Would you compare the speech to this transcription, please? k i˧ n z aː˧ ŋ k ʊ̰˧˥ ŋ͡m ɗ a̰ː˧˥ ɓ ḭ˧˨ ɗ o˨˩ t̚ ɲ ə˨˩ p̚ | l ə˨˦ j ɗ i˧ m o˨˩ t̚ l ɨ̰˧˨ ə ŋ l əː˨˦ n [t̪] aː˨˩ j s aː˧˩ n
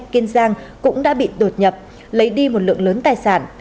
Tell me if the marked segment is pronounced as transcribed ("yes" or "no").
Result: yes